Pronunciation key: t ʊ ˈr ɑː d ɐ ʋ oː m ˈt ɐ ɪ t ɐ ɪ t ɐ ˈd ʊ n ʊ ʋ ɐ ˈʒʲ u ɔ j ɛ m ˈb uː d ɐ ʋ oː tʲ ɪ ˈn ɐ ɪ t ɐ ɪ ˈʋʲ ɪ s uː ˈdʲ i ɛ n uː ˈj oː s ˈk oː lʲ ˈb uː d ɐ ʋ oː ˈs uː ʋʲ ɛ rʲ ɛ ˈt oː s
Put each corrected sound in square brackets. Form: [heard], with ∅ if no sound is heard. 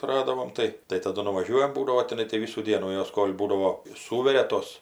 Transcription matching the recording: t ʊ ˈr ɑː d ɐ ʋ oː m ˈt ɐ ɪ t ɐ ɪ t ɐ ˈd ʊ n ʊ ʋ ɐ ˈʒʲ u ɔ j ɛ m ˈb uː d ɐ ʋ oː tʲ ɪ ˈn ɐ ɪ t ɐ ɪ ˈʋʲ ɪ s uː ˈdʲ i ɛ n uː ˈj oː s ˈk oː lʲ ˈb uː d ɐ ʋ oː ˈs uː ʋʲ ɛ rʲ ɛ ˈt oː s